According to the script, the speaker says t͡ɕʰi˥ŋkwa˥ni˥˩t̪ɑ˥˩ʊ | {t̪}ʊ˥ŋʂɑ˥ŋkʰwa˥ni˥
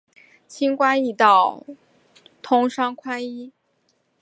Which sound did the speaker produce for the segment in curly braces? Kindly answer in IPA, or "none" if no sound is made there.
t̪ʰ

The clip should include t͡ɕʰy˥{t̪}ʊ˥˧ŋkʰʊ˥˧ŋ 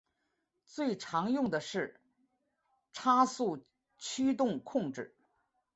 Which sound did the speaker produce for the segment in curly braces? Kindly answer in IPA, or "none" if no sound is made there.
t̪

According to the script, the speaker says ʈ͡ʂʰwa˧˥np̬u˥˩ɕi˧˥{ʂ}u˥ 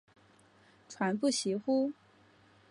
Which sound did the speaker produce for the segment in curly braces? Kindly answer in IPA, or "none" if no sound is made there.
x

